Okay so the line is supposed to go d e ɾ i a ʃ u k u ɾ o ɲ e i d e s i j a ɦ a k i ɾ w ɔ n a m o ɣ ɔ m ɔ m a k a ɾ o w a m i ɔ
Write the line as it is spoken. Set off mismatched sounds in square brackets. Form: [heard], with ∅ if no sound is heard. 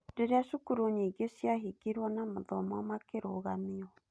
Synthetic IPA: d e ɾ [e] a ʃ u k u ɾ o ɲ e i [ɡ] e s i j a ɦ [i] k i ɾ w ɔ n a m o [ð] ɔ m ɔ m a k [e] ɾ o [ɣ] a m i ɔ